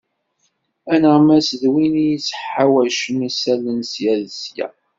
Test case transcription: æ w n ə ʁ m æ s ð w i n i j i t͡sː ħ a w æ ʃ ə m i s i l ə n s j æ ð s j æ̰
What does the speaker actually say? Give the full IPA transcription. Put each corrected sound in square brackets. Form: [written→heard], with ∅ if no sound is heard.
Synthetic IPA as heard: æ [w→∅] n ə ʁ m æ s ð w i n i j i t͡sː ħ a w æ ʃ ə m i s [i→æ] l ə n s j æ ð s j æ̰